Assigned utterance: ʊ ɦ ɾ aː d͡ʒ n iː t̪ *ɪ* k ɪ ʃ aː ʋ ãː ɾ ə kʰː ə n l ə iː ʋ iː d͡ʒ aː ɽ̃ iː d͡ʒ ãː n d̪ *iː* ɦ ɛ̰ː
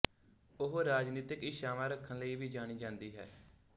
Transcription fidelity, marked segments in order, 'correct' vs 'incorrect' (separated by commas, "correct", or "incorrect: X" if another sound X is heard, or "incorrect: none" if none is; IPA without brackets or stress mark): correct, correct